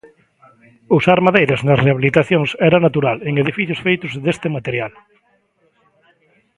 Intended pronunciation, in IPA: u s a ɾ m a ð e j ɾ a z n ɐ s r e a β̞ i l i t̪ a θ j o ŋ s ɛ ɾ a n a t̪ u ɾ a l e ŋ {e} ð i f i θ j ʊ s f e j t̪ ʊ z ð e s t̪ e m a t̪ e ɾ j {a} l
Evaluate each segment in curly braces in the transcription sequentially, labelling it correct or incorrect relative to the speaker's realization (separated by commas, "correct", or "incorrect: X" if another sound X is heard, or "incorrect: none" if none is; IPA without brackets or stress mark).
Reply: correct, correct